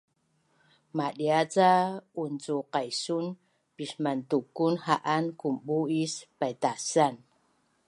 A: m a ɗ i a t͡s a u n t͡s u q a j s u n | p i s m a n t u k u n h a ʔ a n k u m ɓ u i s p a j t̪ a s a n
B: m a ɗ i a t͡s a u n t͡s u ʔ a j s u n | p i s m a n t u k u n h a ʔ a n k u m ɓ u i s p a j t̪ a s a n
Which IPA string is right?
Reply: A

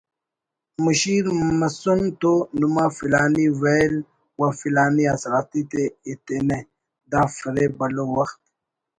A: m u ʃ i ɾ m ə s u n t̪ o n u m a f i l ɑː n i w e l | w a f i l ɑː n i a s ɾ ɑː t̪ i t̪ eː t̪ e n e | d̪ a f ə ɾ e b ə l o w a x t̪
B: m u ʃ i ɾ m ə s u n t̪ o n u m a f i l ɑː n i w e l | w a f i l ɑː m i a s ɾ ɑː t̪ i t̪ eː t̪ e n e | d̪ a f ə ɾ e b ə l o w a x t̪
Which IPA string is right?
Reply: A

